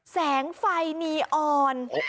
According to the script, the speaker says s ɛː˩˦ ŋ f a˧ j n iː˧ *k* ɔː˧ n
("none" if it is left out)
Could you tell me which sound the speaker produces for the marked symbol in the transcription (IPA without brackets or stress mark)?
ʔ